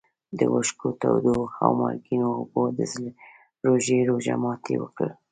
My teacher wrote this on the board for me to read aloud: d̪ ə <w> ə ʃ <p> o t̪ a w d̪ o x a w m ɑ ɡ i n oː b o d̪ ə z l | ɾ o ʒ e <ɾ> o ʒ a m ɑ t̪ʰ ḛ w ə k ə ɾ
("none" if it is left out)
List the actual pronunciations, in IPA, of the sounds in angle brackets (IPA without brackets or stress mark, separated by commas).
w, k, ɾ